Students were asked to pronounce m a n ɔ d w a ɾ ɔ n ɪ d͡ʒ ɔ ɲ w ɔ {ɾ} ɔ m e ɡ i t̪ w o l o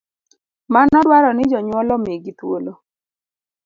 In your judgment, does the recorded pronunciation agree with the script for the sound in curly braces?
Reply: no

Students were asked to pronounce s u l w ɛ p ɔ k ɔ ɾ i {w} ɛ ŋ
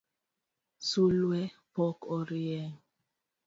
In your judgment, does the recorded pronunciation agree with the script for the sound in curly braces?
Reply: no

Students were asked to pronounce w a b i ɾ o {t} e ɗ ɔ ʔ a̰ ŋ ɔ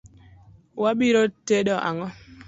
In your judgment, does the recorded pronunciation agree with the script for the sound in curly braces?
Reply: yes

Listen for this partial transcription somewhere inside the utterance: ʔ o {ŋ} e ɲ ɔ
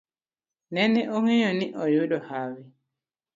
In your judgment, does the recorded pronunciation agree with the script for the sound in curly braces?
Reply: yes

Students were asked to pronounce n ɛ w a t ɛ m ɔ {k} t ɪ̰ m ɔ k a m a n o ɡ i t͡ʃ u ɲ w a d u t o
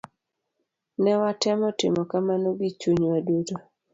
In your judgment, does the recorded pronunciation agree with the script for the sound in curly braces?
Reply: no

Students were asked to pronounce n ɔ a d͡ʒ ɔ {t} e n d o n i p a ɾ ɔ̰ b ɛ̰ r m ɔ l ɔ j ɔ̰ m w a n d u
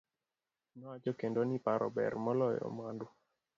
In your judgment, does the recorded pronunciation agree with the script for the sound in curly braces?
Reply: no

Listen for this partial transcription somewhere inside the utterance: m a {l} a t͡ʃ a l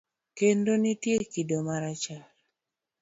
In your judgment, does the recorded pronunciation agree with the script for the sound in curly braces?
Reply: no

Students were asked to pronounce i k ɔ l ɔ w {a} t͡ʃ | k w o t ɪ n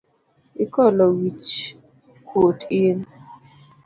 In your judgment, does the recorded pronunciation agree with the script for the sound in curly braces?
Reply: no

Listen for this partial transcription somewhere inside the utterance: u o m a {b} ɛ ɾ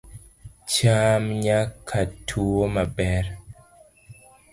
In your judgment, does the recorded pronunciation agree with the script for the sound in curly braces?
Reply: yes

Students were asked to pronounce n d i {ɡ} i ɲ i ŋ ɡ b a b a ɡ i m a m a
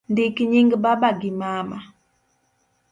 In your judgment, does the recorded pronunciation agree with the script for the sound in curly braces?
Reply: no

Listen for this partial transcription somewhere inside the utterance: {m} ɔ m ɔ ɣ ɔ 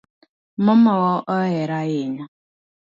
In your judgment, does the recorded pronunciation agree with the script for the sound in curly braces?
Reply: yes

